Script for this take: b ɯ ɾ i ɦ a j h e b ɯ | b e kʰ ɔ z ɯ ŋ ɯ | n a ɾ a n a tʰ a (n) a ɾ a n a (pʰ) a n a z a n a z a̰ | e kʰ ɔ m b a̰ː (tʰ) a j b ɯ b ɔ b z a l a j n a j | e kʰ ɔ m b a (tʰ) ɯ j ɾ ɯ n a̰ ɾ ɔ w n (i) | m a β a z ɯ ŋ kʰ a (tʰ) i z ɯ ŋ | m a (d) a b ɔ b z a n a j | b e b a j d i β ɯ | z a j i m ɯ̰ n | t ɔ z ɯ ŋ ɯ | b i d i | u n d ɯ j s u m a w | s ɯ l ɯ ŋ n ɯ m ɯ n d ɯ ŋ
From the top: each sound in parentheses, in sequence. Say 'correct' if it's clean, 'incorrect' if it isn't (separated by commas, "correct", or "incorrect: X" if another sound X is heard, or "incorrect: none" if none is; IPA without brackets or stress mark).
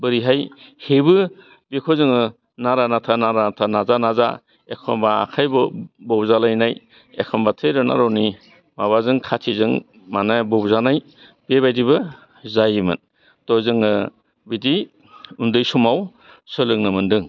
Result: correct, incorrect: tʰ, incorrect: kʰ, correct, correct, correct, incorrect: n